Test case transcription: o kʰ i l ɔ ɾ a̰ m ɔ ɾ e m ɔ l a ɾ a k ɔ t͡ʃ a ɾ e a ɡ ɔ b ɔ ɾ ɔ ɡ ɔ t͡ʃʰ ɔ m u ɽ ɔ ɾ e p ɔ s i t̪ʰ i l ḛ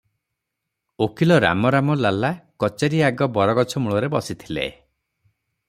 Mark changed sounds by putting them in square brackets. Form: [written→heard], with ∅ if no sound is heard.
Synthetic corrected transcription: o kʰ i l ɔ ɾ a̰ m ɔ ɾ [e→a] m ɔ l a [ɾ→l] a k ɔ t͡ʃ a ɾ [e→i] a ɡ ɔ b ɔ ɾ ɔ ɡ ɔ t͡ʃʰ ɔ m u [ɽ→ɭ] ɔ ɾ e [p→b] ɔ s i t̪ʰ i l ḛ